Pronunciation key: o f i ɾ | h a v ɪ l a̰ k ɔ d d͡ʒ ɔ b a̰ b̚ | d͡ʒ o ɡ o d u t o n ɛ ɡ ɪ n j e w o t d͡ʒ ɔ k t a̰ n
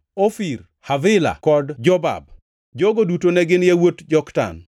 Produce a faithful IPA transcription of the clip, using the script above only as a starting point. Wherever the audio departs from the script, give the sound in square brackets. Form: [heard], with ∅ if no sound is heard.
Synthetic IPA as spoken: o f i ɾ | h a v ɪ l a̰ k ɔ d d͡ʒ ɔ b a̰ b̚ | d͡ʒ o ɡ o d u t o n ɛ ɡ ɪ n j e w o t d͡ʒ ɔ k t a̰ n